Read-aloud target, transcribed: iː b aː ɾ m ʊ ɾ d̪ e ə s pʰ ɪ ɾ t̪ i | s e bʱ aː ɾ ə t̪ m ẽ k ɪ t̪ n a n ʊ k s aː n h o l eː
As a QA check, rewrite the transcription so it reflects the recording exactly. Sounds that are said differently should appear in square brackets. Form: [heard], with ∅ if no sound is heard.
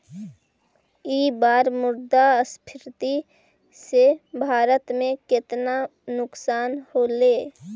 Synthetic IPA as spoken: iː b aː ɾ m ʊ ɾ d̪ [a] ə s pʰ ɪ ɾ t̪ i | s e bʱ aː ɾ ə t̪ m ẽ k ɪ t̪ n a n ʊ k s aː n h o l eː